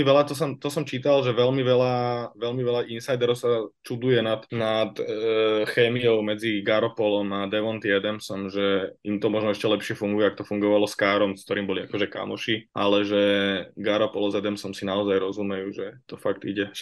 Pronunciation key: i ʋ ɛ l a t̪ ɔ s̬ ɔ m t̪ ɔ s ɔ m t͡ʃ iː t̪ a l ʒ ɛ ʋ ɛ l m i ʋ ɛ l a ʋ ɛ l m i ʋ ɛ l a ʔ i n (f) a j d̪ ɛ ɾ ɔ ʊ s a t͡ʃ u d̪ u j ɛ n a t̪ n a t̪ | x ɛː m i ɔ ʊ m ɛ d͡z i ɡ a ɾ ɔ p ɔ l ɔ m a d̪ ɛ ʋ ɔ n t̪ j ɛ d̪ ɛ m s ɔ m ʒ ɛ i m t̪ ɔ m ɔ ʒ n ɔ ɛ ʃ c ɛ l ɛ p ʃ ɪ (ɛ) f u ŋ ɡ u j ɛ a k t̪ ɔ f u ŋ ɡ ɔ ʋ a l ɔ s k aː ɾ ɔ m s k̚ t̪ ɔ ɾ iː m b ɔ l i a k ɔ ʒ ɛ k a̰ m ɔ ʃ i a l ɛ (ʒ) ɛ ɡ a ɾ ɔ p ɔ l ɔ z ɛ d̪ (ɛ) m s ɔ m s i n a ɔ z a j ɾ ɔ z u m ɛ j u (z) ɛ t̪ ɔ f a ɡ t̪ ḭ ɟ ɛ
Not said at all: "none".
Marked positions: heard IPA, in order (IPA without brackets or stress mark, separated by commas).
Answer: s, ɛ, ʒ, ɛ, ʒ